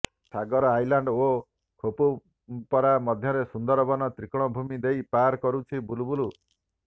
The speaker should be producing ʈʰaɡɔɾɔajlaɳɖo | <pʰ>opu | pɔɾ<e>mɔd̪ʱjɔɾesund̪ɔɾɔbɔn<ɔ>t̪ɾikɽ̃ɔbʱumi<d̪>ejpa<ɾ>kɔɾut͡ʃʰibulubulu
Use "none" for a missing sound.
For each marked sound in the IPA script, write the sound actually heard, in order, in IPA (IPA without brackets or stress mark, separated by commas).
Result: kʰ, a, ɔ, d̪, ɾ